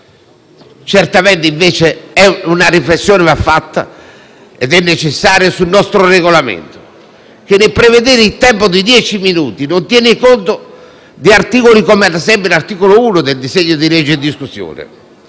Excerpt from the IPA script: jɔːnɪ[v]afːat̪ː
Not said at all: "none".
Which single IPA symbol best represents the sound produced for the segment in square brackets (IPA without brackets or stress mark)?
v